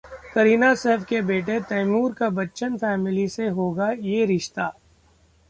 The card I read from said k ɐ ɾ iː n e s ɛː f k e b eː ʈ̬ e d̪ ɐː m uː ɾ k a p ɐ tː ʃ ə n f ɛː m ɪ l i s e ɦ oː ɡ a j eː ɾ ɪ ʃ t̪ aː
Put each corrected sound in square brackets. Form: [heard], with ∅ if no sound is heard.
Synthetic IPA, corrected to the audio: k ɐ ɾ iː n [a] s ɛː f k e b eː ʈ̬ e [t̪] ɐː m uː ɾ k a [b] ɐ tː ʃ ə n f ɛː m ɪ l i s e ɦ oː ɡ a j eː ɾ ɪ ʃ t̪ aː

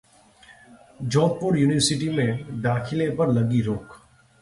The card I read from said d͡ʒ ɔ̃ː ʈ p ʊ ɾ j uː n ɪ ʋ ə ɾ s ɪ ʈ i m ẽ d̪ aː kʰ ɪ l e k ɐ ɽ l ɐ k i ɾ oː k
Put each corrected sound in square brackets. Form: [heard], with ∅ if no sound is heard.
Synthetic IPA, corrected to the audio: d͡ʒ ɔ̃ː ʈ p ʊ ɾ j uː n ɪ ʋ ə ɾ s ɪ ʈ i m ẽ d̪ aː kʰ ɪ l e [p] ɐ [ɾ] l ɐ [ɡ] i ɾ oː k

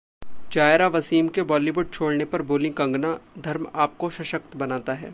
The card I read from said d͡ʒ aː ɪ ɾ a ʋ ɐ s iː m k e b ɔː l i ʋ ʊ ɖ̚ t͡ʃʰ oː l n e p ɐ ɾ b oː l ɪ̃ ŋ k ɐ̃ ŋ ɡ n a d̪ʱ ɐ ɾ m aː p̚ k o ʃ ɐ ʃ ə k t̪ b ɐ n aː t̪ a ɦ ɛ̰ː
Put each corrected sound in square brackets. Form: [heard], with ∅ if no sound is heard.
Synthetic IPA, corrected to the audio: d͡ʒ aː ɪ ɾ a ʋ ɐ s iː m k e b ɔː l i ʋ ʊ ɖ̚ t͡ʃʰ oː [ɽ] n e p ɐ ɾ b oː l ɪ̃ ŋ k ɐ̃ ŋ ɡ n a d̪ʱ ɐ ɾ m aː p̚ k o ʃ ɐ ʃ ə k t̪ b ɐ n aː t̪ a ɦ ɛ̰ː

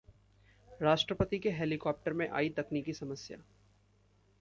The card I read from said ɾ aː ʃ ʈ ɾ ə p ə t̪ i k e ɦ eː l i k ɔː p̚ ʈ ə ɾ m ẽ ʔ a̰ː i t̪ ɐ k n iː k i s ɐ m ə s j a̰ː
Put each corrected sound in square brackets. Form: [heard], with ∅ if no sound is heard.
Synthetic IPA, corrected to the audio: ɾ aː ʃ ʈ ɾ ə p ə t̪ i k e ɦ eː l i k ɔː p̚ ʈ ə ɾ m ẽ ʔ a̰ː i t̪ ɐ k n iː k i s ɐ m ə s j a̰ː

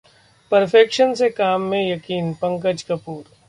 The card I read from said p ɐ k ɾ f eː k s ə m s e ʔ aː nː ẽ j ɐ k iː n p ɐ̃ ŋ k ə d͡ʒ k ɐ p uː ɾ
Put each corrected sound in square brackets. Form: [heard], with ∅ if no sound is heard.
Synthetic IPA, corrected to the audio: p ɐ [∅] ɾ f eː k [ʃ] ə [n] s e [k] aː [mː] ẽ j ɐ k iː n p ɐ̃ ŋ k ə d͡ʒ k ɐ p uː ɾ

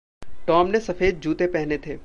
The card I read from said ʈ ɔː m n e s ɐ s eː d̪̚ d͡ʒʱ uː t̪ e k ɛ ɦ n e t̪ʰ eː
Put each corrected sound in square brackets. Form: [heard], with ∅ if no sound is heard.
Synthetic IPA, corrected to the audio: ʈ ɔː m n e s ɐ [f] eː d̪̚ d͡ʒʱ uː t̪ e [p] ɛ ɦ n e t̪ʰ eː

